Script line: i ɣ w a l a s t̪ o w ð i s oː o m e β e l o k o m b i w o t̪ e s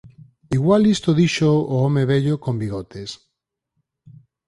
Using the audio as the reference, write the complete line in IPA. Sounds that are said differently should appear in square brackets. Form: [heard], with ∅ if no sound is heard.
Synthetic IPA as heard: i ɣ w a l [i] s t̪ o [∅] ð i [ʃ] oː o m e β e [ʎ] o k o m b i [ɣ] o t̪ e s

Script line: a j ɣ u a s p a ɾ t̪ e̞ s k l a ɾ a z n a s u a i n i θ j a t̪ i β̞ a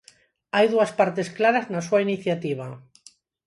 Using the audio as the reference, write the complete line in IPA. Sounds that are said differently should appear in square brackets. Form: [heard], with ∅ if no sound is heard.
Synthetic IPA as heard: a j [ð] u a s p a ɾ t̪ e̞ s k l a ɾ a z n a s u a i n i θ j a t̪ i β̞ a

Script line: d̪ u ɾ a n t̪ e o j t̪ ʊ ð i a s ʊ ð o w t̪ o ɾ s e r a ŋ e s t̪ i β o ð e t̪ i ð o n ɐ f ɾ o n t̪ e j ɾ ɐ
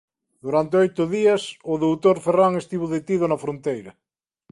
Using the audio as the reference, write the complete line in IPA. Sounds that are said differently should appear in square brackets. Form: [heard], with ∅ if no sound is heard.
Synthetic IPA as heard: d̪ u ɾ a n t̪ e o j t̪ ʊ ð i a s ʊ ð o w t̪ o ɾ [f] e r a ŋ e s t̪ i β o ð e t̪ i ð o n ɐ f ɾ o n t̪ e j ɾ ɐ

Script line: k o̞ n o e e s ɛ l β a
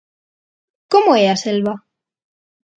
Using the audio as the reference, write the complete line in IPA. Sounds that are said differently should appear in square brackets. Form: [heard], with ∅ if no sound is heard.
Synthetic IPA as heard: k o̞ [m] o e [a] s [e] l β a

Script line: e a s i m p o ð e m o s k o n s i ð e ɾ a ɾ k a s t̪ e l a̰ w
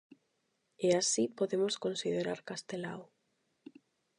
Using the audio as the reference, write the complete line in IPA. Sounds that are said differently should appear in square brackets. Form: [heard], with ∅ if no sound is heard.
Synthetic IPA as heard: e a s i [∅] p o ð e m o s k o n s i ð e ɾ a ɾ k a s t̪ e l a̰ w

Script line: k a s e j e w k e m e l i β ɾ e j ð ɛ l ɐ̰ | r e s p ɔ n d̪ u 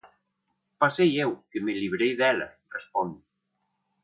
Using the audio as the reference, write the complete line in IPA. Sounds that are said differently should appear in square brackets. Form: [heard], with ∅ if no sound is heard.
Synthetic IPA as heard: [p] a s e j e w k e m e l i β ɾ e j ð ɛ l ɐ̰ | r e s p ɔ n d̪ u

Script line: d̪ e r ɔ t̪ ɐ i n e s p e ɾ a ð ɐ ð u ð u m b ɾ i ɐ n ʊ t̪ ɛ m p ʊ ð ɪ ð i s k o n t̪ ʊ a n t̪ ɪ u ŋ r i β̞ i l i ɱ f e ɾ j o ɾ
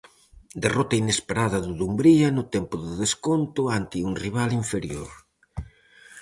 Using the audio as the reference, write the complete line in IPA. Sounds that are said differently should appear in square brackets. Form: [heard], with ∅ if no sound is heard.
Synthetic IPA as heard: d̪ e r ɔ t̪ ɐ i n e s p e ɾ a ð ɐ ð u ð u m b ɾ i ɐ n ʊ t̪ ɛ m p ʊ ð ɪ ð [e] s k o n t̪ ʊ a n t̪ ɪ u ŋ r i β̞ [a] l i ɱ f e ɾ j o ɾ

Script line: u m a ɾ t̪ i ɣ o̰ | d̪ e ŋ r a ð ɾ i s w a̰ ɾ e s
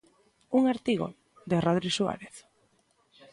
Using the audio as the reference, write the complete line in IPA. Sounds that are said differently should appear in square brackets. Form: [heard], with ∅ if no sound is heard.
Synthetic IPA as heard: u [ŋ] a ɾ t̪ i ɣ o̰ | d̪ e [∅] r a ð ɾ i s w a̰ ɾ e [θ]

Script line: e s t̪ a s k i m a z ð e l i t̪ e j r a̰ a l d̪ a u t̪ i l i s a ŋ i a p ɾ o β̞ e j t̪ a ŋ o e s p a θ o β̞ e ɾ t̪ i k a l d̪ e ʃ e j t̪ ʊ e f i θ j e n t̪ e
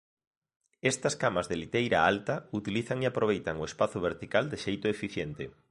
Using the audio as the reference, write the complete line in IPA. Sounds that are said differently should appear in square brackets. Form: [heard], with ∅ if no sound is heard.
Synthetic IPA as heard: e s t̪ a s k [a] m a z ð e l i t̪ e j [ɾ] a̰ a l [t̪] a u t̪ i l i [θ] a ŋ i a p ɾ o β̞ e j t̪ a ŋ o e s p a θ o β̞ e ɾ t̪ i k a l d̪ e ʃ e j t̪ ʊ e f i θ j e n t̪ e

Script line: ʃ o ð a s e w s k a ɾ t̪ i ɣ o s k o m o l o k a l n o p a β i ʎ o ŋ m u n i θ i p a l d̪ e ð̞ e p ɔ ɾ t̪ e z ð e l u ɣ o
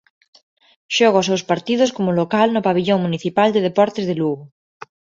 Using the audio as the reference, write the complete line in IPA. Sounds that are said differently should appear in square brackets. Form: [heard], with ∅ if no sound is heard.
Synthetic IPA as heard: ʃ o [ɣ] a s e w s [p] a ɾ t̪ i [ð] o s k o m o l o k a l n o p a β i ʎ o ŋ m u n i θ i p a l d̪ e ð̞ e p ɔ ɾ t̪ e z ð e l u ɣ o

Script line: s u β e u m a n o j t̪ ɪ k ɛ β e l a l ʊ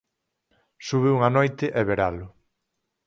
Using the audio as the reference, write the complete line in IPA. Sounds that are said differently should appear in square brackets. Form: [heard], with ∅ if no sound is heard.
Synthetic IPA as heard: s u β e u [ŋ] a n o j t̪ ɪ [ʔ] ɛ β e [ɾ] a l ʊ

